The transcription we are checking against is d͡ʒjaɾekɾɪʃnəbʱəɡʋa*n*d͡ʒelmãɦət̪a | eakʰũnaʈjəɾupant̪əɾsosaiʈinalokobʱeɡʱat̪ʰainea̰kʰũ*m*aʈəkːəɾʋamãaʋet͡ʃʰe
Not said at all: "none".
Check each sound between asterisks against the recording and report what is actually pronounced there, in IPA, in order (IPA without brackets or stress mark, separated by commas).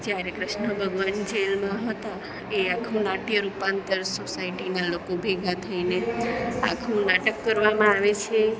n, n